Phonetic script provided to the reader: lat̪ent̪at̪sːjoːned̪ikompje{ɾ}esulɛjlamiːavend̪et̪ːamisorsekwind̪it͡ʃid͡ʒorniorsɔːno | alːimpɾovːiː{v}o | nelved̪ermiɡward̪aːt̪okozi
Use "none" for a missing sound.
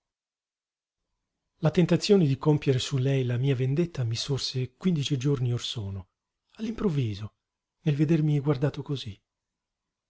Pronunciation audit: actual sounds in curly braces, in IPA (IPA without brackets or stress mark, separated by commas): ɾ, z